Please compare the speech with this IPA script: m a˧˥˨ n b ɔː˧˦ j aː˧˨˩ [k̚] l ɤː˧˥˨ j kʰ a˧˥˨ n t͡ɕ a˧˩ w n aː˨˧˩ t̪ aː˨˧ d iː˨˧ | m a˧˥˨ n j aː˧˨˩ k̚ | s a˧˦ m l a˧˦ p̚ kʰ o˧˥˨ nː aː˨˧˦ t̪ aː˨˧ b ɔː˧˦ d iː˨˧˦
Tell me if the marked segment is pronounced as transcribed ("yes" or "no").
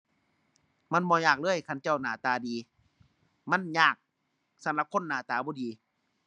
yes